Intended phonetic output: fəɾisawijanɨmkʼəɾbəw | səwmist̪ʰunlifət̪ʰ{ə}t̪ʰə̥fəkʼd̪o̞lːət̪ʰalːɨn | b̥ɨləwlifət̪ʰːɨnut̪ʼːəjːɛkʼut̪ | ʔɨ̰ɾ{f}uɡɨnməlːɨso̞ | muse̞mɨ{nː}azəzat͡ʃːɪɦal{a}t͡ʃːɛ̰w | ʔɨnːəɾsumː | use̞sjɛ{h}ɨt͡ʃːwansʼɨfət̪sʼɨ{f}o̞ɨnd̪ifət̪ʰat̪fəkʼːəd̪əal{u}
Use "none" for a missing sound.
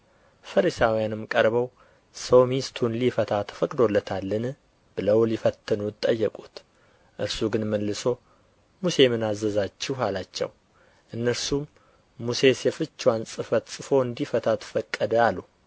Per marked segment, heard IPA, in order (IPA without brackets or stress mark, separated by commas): a, s, n, a, f, f, u